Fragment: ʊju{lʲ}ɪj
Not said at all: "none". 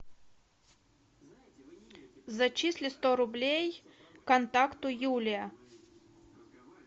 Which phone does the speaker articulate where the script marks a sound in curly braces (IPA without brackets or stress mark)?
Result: lʲ